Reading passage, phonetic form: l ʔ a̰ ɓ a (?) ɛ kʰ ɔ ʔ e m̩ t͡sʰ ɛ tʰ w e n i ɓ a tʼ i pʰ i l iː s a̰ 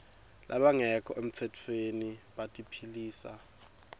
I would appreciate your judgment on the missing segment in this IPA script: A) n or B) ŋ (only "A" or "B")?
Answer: B